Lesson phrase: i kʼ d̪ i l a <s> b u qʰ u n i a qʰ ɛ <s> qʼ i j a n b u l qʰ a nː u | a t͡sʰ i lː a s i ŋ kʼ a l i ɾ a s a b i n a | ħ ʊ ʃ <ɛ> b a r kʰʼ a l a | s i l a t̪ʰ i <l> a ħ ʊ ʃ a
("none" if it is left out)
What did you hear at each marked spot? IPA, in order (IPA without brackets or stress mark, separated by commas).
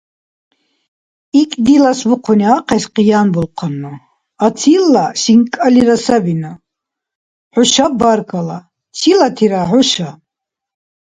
s, s, a, ɾ